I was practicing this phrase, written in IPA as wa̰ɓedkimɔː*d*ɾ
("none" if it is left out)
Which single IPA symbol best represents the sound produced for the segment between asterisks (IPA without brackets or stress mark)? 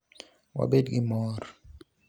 none